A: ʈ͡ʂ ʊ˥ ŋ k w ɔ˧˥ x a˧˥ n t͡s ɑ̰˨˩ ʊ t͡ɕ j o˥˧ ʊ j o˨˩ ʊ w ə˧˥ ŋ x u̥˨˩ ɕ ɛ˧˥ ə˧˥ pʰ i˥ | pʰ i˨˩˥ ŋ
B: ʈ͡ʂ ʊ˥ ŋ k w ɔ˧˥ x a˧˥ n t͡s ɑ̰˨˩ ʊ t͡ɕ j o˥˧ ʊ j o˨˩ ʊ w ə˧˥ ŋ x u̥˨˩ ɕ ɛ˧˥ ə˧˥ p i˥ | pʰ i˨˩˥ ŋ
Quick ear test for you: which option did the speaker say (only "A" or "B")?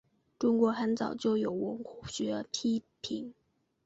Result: A